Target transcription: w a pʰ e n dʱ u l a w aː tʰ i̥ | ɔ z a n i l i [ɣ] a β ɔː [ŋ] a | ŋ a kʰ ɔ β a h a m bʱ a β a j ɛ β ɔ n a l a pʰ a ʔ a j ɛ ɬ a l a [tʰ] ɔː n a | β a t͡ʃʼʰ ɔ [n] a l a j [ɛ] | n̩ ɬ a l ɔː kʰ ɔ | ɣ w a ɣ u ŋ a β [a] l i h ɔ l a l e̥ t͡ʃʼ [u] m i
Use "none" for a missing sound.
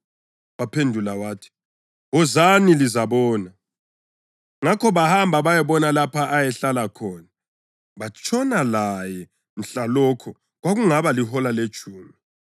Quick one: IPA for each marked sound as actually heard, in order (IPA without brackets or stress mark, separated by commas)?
z, n, kʰ, n, ɛ, a, uː